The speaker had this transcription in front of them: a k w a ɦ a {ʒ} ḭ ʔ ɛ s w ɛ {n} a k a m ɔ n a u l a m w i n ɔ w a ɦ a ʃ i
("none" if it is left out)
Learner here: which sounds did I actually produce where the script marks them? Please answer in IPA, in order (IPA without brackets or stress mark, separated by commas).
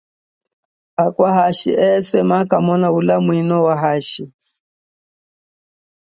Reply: ʃ, m